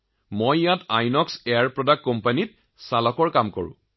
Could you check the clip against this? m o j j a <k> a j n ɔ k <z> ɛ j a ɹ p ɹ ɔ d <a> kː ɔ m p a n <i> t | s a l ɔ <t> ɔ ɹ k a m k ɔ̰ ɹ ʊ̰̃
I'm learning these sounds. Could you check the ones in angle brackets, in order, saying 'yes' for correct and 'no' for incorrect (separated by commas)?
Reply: no, no, yes, yes, no